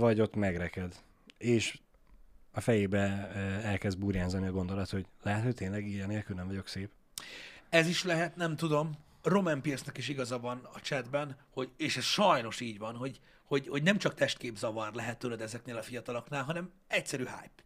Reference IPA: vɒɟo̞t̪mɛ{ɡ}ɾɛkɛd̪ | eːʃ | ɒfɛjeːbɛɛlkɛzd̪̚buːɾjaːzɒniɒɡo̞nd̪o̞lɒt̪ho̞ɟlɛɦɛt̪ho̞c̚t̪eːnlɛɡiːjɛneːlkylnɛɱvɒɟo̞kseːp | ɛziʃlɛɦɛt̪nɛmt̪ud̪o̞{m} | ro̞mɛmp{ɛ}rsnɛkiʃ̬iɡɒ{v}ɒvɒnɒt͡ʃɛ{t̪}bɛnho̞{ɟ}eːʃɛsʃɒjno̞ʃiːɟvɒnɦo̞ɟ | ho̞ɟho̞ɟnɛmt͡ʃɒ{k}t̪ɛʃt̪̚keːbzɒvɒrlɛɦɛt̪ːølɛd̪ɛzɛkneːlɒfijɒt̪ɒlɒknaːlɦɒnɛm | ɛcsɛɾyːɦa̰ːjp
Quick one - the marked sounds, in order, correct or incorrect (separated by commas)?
correct, correct, incorrect, incorrect, incorrect, correct, correct